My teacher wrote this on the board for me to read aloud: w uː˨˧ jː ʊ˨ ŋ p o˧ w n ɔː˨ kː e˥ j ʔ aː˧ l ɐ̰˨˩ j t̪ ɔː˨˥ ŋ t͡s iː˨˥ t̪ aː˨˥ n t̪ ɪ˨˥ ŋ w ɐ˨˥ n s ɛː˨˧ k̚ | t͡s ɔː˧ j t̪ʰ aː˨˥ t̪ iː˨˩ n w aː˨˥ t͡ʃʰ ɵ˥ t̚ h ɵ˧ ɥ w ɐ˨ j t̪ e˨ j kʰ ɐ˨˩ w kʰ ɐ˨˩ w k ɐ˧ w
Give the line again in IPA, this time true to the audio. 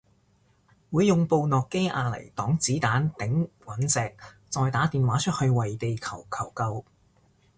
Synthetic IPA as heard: w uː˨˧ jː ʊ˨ ŋ p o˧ w n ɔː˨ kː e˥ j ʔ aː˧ l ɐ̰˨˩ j t̪ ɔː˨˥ ŋ t͡s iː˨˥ t̪ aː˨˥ n t̪ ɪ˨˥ ŋ w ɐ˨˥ n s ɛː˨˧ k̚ | t͡s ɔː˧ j t̪ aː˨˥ t̪ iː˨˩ n w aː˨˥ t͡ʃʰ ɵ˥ t̚ h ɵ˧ ɥ w ɐ˨ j t̪ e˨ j kʰ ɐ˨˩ w kʰ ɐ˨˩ w k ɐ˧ w